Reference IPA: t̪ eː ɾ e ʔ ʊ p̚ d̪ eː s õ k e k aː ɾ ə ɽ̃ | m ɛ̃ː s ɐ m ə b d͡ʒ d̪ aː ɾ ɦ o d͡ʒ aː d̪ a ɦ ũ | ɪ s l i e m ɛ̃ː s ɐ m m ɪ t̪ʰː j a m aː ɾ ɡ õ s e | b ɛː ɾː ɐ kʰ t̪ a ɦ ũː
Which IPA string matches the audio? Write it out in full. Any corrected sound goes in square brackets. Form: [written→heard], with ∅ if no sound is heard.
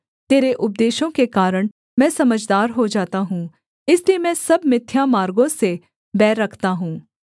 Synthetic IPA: t̪ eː ɾ e ʔ ʊ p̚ d̪ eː [s→ʃ] õ k e k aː ɾ ə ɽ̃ | m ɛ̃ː s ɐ m ə [b→∅] d͡ʒ d̪ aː ɾ ɦ o d͡ʒ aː [d̪→t̪] a ɦ ũ | ɪ s l i e m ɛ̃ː s ɐ [m→b] m ɪ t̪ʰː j a m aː ɾ ɡ õ s e | b ɛː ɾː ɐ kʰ t̪ a ɦ ũː

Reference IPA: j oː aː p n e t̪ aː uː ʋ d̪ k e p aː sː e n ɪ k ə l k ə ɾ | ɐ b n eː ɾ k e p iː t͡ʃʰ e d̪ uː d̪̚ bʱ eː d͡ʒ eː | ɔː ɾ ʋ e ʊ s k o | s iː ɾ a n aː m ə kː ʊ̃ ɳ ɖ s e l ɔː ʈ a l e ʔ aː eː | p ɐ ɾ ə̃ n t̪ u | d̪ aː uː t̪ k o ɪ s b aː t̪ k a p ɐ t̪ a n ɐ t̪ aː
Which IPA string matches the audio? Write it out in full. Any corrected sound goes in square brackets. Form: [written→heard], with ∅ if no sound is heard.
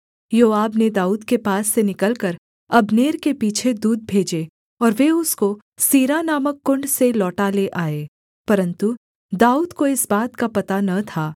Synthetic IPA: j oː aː [p→b] n e [t̪→d̪] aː uː [ʋ→∅] d̪ k e p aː sː e n ɪ k ə l k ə ɾ | ɐ b n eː ɾ k e p iː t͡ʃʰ e d̪ uː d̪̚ bʱ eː d͡ʒ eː | ɔː ɾ ʋ e ʊ s k o | s iː ɾ a n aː m ə kː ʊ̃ ɳ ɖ s e l ɔː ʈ a l e ʔ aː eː | p ɐ ɾ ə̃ n t̪ u | d̪ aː uː [t̪→d̪] k o ɪ s b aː t̪ k a p ɐ t̪ a n ɐ [t̪→t̪ʰ] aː

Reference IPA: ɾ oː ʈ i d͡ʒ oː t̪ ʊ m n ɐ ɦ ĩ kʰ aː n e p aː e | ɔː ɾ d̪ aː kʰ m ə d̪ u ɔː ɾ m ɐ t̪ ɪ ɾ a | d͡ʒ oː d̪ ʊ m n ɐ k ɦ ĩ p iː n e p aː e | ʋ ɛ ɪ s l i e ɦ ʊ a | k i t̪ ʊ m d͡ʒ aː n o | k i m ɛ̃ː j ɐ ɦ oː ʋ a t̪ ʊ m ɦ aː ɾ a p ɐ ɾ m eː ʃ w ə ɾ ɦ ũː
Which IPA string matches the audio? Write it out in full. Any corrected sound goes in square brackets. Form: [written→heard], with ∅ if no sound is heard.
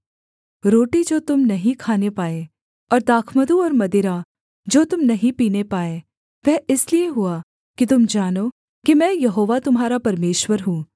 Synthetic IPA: ɾ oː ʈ i d͡ʒ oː t̪ ʊ m n ɐ ɦ ĩ kʰ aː n e p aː e | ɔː ɾ d̪ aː kʰ m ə d̪ u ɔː ɾ m ɐ [t̪→d̪] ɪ ɾ a | d͡ʒ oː [d̪→t̪] ʊ m n ɐ [k→∅] ɦ ĩ p iː n e p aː e | ʋ ɛ ɪ s l i e ɦ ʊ a | k i t̪ ʊ m d͡ʒ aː n o | k i m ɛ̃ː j ɐ ɦ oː ʋ a t̪ ʊ m ɦ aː ɾ a p ɐ ɾ m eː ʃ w ə ɾ ɦ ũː

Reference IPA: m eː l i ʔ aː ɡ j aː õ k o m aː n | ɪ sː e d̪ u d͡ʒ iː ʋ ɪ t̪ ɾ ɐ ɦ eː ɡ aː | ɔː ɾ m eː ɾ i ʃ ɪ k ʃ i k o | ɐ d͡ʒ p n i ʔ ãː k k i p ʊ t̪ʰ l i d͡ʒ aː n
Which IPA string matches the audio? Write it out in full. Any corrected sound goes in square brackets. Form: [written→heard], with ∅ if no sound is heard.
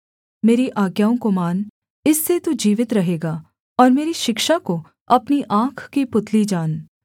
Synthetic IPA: m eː [l→ɾ] i ʔ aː ɡ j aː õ k o m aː n | ɪ sː e [d̪→t̪] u d͡ʒ iː ʋ ɪ t̪ ɾ ɐ ɦ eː ɡ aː | ɔː ɾ m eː ɾ i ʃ ɪ k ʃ [i→a] k o | ɐ [d͡ʒ→∅] p n i ʔ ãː [k→kʰ] k i p ʊ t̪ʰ l i d͡ʒ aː n

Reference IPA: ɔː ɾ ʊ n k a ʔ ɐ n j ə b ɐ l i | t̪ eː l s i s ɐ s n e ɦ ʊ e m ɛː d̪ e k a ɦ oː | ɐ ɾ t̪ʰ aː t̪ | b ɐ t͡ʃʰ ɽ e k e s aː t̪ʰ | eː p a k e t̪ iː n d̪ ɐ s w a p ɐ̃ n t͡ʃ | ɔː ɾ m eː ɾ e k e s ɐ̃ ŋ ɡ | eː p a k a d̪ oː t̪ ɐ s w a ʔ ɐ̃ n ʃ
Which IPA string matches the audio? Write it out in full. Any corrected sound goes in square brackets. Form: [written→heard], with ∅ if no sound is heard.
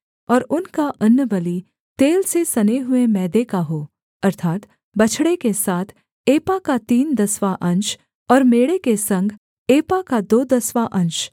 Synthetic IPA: ɔː ɾ ʊ n k a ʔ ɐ n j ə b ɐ l i | t̪ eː l s [i→e] s ɐ [s→∅] n e ɦ ʊ e m ɛː d̪ e k a ɦ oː | ɐ ɾ t̪ʰ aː t̪ | b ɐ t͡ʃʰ ɽ e k e s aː t̪ʰ | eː p a k [e→a] t̪ iː n d̪ ɐ s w a [p→ʔ] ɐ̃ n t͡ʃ | ɔː ɾ m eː [ɾ→ɽ] e k e s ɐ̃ ŋ ɡ | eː p a k a d̪ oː [t̪→d̪] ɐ s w a ʔ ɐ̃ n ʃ

